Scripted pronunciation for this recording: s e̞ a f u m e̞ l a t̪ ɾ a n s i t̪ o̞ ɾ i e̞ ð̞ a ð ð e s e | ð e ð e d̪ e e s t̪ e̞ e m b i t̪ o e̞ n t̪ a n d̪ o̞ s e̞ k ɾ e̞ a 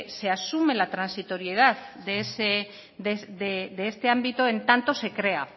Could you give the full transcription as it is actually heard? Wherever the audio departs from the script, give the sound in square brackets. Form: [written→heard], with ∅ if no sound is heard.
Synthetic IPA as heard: s e̞ a [f→s] u m e̞ l a t̪ ɾ a n s i t̪ o̞ ɾ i e̞ ð̞ a ð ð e s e | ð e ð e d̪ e e s t̪ e̞ [e→a] m b i t̪ o e̞ n t̪ a n [d̪→t̪] o̞ s e̞ k ɾ e̞ a